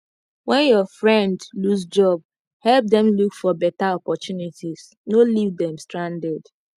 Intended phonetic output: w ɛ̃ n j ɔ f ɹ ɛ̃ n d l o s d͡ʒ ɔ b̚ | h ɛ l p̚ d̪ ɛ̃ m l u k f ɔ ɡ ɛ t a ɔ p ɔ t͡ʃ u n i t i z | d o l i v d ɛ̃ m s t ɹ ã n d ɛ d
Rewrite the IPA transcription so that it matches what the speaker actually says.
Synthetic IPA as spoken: w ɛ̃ n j ɔ f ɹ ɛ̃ n d l u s d͡ʒ ɔ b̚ | h ɛ l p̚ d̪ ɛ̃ m l u k f ɔ b ɛ t a ɔ p ɔ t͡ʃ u n i t i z | n o l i v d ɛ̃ m s t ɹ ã n d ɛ d